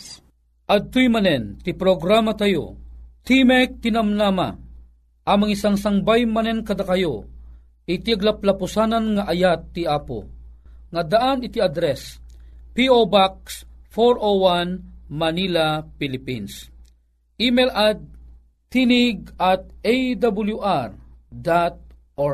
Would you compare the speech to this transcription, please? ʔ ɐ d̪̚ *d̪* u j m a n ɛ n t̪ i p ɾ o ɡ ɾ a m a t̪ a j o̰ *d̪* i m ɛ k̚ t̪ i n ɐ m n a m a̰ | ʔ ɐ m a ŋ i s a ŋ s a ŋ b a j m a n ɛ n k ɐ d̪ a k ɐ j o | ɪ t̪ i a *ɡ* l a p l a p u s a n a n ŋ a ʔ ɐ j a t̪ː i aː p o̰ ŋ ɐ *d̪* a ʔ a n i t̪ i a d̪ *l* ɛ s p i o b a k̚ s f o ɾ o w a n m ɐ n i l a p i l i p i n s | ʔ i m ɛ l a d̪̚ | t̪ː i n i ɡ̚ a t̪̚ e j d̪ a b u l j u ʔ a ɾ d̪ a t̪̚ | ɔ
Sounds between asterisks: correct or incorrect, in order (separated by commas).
incorrect, incorrect, correct, correct, incorrect